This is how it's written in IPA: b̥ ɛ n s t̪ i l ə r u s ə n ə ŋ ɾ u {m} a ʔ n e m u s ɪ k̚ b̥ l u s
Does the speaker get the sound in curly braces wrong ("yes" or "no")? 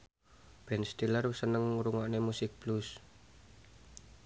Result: yes